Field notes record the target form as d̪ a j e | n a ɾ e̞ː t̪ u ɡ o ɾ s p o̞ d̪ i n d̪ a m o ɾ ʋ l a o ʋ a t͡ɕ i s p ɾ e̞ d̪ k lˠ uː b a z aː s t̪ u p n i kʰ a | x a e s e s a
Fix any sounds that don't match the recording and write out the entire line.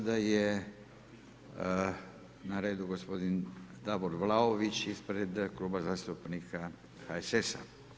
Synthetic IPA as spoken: d̪ a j e | n a ɾ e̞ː d̪ u ɡ o s p o̞ d̪ i n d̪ a b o ɾ ʋ l a o ʋ i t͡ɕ i s p ɾ e̞ d̪ k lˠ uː b a z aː s t̪ u p n i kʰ a | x a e s e s a

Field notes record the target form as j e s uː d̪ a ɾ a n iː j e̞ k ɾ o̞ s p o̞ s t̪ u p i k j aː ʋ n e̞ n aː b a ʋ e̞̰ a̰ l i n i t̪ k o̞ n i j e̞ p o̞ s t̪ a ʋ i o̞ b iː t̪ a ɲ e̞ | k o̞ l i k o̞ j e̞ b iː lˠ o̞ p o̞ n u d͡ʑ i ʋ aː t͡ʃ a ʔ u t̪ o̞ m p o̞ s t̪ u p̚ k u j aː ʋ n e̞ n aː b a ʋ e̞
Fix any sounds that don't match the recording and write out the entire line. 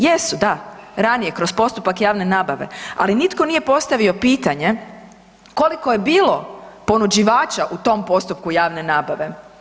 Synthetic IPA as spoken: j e s u d̪ a ɾ a n i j e̞ k ɾ o̞ s p o̞ s t̪ u p a k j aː ʋ n e̞ n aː b a ʋ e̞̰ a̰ l i n i t̪ k o̞ n i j e̞ p o̞ s t̪ a ʋ i o̞ p iː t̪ a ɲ e̞ | k o̞ l i k o̞ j e̞ b iː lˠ o̞ p o̞ n u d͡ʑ i ʋ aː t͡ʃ a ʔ u t̪ o̞ m p o̞ s t̪ u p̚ k u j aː ʋ n e̞ n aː b a ʋ e̞

